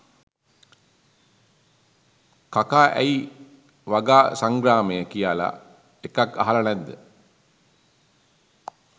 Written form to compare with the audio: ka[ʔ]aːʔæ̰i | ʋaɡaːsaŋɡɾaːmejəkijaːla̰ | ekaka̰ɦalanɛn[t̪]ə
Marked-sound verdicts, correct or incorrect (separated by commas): incorrect, incorrect